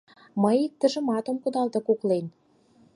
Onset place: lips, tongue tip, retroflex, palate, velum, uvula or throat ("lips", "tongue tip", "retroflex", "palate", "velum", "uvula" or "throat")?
lips